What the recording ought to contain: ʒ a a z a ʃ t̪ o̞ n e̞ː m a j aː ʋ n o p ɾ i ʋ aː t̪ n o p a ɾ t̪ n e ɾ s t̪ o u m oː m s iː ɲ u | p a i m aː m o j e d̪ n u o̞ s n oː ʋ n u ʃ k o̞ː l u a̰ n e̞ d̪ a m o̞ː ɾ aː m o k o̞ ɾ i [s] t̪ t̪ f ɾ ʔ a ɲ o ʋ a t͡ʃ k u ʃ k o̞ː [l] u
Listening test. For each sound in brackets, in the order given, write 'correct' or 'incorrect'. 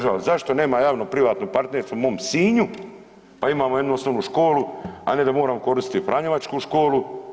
correct, correct

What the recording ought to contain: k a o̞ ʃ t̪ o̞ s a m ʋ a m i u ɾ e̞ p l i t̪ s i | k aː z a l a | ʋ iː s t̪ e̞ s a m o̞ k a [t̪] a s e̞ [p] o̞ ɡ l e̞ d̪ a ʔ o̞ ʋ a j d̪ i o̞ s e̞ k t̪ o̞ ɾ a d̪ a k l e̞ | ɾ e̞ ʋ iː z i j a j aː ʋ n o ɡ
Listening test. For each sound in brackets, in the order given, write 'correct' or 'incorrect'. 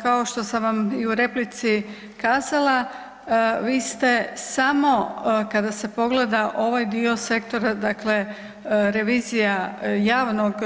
incorrect: d̪, correct

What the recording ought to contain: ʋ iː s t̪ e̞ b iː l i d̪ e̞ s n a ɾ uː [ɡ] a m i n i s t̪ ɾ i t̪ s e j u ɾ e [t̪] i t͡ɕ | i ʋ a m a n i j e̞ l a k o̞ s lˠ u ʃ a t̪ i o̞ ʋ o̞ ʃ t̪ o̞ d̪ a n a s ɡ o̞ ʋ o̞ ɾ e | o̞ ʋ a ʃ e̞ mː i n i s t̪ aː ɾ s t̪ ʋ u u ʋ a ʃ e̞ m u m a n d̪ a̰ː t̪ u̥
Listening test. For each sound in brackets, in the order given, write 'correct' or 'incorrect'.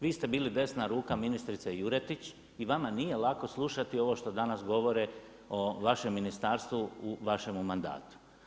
incorrect: k, correct

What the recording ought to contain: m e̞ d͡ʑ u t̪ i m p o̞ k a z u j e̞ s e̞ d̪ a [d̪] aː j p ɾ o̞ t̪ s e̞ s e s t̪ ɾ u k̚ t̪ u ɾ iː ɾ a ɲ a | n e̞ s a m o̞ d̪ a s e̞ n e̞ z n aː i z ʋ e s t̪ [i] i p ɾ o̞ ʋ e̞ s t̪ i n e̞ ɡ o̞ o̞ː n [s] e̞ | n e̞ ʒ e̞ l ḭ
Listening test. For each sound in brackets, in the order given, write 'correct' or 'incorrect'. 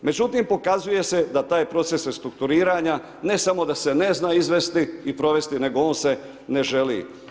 incorrect: t̪, correct, correct

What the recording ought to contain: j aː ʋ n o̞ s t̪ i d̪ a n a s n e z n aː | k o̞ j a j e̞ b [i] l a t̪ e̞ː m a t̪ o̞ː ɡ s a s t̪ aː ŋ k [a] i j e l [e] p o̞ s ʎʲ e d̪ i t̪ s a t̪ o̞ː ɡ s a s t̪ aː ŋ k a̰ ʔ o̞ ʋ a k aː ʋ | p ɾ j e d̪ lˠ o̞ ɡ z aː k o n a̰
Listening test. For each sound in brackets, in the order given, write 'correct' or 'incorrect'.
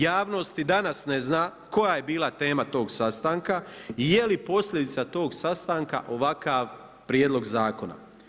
incorrect: iː, correct, incorrect: i

